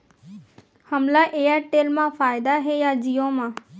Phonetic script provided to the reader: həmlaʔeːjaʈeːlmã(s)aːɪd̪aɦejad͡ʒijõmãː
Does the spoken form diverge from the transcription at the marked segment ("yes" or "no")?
yes